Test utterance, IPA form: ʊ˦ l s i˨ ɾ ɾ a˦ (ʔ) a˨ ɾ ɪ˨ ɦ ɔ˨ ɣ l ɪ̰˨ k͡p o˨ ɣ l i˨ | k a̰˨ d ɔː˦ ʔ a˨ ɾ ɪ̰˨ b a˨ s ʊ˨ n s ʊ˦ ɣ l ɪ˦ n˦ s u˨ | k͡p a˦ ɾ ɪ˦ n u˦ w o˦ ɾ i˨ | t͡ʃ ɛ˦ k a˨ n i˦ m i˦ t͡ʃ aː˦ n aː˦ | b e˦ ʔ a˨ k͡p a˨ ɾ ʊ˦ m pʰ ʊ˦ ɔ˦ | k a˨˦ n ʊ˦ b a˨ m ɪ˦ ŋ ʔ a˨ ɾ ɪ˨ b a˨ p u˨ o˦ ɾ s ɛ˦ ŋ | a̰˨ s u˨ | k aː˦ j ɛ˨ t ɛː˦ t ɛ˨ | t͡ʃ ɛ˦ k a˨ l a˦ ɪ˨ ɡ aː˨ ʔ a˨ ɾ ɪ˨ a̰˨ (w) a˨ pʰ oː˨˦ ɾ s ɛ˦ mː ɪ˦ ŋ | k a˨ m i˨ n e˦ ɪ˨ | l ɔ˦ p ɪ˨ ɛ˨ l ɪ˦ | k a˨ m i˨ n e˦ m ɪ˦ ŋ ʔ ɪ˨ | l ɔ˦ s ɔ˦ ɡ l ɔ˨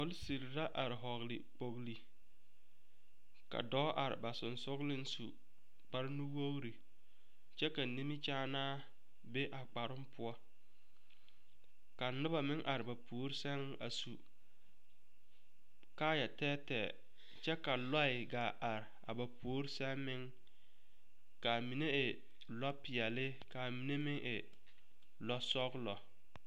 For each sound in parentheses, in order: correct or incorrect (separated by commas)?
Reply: correct, incorrect